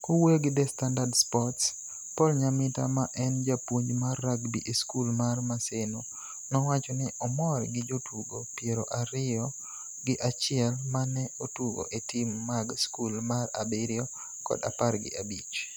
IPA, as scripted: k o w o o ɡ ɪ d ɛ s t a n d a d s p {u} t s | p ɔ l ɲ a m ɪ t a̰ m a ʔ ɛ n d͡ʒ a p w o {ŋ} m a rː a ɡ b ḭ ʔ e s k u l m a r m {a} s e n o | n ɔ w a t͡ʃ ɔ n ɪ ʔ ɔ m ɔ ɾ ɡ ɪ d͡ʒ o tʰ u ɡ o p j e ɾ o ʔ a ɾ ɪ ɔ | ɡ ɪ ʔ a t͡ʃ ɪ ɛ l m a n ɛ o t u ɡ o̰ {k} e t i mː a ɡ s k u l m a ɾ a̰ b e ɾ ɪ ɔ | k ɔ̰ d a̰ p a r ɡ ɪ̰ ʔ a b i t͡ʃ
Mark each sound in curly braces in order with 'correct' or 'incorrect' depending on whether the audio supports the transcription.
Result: incorrect, incorrect, correct, incorrect

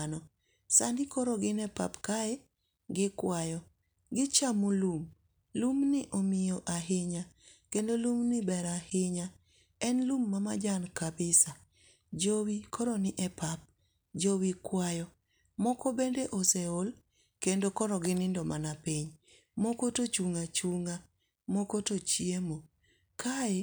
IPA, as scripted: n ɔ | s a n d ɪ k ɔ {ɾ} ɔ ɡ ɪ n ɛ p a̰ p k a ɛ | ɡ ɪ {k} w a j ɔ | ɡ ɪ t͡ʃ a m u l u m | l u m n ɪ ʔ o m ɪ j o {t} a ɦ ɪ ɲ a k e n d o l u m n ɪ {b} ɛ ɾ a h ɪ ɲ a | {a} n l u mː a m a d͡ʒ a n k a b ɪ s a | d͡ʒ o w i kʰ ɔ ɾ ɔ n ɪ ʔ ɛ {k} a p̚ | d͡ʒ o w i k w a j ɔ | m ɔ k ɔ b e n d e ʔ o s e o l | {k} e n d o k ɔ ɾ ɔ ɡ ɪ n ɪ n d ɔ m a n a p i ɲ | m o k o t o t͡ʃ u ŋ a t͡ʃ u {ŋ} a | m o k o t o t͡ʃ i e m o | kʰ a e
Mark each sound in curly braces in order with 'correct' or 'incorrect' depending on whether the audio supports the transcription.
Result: correct, correct, incorrect, correct, incorrect, incorrect, correct, correct

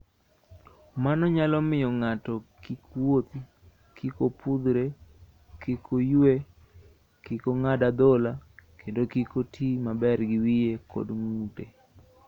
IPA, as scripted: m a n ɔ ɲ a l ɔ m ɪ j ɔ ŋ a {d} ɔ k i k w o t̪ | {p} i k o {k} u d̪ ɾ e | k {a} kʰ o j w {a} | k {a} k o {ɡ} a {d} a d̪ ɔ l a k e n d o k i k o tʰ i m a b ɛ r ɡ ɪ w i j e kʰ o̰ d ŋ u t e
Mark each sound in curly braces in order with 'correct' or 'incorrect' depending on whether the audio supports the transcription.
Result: incorrect, incorrect, incorrect, incorrect, incorrect, incorrect, incorrect, correct

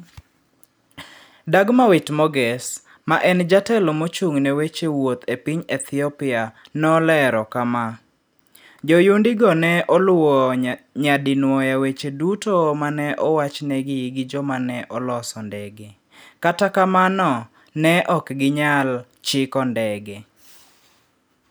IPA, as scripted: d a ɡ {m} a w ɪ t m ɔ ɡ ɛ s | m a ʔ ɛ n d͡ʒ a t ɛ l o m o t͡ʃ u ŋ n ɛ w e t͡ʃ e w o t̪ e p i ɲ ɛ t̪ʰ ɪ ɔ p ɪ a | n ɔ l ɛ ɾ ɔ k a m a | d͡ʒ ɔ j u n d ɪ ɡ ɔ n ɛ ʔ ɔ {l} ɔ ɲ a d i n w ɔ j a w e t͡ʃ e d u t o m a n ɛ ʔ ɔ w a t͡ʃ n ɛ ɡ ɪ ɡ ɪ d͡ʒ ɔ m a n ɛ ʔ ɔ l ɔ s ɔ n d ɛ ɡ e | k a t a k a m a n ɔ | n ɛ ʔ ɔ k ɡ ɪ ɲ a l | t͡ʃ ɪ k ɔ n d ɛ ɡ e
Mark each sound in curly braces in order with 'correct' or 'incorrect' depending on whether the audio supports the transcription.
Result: correct, correct

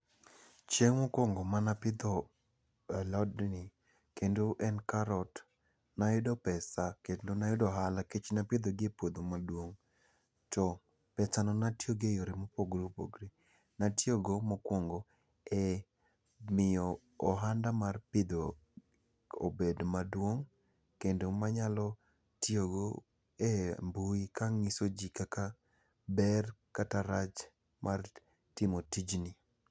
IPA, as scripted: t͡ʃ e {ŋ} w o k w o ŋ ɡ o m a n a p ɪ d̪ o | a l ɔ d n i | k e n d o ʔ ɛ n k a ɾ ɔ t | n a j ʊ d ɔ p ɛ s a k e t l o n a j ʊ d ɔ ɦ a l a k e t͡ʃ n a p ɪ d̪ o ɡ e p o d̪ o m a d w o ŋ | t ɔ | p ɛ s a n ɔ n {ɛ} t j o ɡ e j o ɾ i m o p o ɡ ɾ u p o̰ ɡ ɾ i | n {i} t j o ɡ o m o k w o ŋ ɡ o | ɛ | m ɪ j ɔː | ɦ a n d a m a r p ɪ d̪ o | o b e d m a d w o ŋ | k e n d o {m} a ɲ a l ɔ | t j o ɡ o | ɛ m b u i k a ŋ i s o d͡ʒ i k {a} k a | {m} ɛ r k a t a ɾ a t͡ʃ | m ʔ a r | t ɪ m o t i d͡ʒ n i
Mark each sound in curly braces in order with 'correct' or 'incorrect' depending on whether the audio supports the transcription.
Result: correct, incorrect, incorrect, correct, correct, incorrect

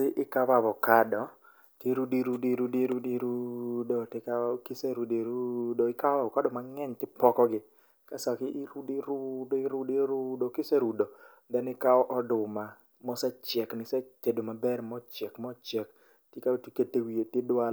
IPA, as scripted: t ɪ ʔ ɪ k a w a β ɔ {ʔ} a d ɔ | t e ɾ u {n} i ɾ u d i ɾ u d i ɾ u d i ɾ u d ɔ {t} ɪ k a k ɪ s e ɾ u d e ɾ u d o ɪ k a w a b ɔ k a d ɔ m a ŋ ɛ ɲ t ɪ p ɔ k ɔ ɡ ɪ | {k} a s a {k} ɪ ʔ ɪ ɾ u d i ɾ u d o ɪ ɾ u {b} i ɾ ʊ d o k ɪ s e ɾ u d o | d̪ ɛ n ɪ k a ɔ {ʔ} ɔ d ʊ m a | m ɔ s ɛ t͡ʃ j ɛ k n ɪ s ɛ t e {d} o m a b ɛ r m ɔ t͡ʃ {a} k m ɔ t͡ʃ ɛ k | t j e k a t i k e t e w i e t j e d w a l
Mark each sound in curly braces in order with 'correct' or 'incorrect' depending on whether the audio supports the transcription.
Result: incorrect, incorrect, correct, correct, correct, incorrect, correct, correct, incorrect

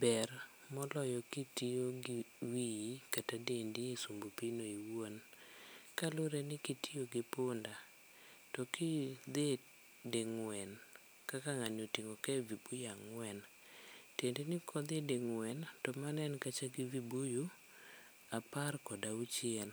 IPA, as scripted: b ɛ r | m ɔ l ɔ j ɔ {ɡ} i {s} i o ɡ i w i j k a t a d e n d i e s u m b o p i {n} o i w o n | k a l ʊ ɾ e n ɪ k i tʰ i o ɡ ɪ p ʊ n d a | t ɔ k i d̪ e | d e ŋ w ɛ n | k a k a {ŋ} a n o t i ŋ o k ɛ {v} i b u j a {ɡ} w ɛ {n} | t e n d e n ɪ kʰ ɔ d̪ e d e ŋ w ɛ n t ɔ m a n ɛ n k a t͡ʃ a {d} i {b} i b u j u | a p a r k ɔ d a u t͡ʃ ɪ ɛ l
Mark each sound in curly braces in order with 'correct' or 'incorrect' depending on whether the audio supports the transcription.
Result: incorrect, incorrect, correct, correct, correct, incorrect, correct, incorrect, incorrect

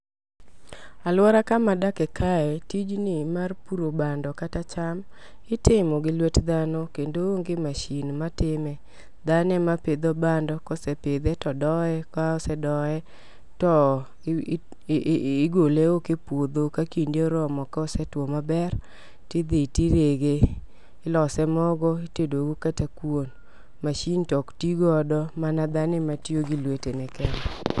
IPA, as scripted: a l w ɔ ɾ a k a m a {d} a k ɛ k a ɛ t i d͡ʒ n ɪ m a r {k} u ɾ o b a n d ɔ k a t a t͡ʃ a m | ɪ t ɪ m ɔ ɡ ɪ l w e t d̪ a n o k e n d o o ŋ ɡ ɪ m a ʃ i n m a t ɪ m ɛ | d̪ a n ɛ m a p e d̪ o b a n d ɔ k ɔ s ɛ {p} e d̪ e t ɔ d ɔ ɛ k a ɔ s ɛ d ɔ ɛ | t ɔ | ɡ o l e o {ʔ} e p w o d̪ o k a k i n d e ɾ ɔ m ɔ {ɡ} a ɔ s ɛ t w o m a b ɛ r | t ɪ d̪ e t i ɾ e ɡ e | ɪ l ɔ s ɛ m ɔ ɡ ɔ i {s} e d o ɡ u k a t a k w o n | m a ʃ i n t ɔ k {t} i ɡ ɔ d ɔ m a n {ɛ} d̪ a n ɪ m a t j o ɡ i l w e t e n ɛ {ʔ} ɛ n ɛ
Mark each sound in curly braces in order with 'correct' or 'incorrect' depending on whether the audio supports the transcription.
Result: correct, incorrect, correct, incorrect, incorrect, incorrect, correct, incorrect, incorrect

